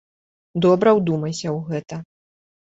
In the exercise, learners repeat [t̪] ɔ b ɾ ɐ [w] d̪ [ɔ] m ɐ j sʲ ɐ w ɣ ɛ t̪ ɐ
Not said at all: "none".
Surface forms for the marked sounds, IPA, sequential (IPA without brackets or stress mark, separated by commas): d̪, w, u